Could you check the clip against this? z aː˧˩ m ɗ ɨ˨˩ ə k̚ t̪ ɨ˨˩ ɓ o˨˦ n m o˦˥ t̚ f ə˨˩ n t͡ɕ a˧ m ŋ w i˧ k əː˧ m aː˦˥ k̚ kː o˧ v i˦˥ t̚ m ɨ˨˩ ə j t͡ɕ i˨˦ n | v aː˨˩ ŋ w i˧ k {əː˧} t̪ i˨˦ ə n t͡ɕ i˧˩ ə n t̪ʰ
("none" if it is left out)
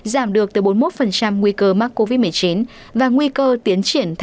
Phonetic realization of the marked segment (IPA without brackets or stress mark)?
əː˧